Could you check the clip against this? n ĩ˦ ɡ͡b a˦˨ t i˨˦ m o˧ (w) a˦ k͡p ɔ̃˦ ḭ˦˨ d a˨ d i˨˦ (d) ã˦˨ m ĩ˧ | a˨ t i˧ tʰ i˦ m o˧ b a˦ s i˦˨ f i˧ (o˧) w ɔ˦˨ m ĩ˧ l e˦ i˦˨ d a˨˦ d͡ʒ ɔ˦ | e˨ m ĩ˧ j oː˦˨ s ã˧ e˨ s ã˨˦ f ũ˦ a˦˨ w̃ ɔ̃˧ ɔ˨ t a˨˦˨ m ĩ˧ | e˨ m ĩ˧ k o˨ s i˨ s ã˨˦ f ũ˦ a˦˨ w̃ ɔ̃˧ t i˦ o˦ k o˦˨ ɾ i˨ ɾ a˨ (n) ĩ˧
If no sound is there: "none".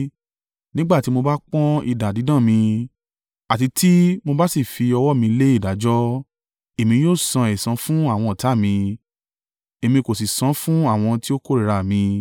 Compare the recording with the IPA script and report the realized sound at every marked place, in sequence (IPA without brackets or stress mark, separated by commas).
b, d, ɔ˧, m